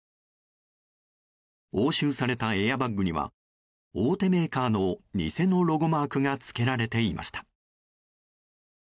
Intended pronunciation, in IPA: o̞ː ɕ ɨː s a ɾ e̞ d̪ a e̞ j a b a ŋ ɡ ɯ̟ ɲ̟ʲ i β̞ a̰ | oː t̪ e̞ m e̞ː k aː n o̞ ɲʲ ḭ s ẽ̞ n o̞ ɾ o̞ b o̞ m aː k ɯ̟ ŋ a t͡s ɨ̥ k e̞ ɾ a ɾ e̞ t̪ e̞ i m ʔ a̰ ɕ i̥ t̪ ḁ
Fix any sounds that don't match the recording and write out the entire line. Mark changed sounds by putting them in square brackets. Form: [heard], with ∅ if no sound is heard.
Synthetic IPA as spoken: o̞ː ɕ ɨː s a ɾ e̞ [t̪] a e̞ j a b a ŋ ɡ ɯ̟ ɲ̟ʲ i β̞ a̰ | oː t̪ e̞ m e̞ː k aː n o̞ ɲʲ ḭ s [e̞] n o̞ ɾ o̞ [ɡ] o̞ m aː k ɯ̟ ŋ a t͡s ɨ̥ k e̞ ɾ a ɾ e̞ t̪ e̞ i m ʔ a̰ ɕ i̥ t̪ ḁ